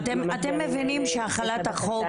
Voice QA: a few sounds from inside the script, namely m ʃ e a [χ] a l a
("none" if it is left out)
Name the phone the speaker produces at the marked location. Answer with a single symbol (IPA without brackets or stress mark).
χ